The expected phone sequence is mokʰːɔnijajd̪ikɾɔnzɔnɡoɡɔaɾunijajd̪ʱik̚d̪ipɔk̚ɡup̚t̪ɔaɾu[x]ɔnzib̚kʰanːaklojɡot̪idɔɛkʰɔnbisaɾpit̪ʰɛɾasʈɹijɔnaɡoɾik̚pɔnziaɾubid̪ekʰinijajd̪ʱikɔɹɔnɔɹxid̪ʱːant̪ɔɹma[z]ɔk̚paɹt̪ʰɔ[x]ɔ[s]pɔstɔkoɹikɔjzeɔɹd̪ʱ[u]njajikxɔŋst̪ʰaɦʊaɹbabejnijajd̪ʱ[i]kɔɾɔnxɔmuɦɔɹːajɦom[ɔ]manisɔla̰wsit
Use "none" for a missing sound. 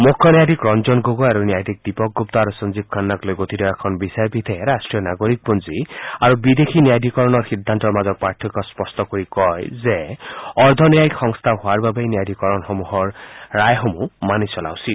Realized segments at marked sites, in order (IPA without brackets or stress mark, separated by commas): s, z, k, s, ɔ, i, u